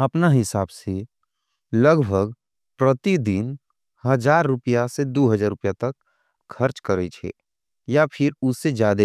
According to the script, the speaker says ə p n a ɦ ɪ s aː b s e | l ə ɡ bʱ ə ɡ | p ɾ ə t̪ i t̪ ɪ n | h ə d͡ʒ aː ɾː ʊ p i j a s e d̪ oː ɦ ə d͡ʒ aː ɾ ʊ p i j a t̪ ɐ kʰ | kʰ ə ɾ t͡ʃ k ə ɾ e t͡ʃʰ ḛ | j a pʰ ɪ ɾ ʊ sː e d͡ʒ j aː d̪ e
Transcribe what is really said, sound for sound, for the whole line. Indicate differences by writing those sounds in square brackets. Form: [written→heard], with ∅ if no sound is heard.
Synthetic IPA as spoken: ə p n a ɦ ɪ s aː b s e | l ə ɡ bʱ ə ɡ | p ɾ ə t̪ i [t̪→d̪] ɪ n | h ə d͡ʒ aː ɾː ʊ p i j a s e d̪ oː ɦ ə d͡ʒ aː ɾ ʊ p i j a t̪ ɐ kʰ | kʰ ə ɾ t͡ʃ k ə ɾ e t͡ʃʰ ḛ | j a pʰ ɪ ɾ ʊ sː e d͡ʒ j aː d̪ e